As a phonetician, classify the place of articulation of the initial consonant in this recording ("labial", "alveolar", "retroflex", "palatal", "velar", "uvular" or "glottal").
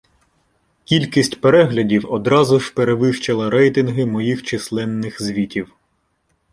velar